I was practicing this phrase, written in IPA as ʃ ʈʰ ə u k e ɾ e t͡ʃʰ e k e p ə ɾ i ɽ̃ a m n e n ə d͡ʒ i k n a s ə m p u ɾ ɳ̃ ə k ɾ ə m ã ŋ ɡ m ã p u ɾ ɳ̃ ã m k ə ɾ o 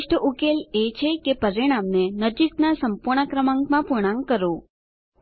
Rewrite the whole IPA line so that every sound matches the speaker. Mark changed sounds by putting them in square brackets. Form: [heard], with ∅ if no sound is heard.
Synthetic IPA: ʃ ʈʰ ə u k e [l] e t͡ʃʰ e k e p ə ɾ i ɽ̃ a m n e n ə d͡ʒ i k n a s ə m p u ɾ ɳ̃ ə k ɾ ə m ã ŋ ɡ m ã p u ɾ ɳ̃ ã [ŋ] k ə ɾ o